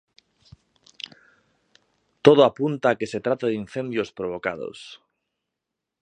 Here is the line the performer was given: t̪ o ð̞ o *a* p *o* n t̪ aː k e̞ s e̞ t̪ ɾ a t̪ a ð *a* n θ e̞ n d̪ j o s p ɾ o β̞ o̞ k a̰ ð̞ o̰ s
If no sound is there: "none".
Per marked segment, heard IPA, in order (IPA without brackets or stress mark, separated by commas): a, u, i